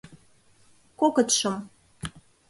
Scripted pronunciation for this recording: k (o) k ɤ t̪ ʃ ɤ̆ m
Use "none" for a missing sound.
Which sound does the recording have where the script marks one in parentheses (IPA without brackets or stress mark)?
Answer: o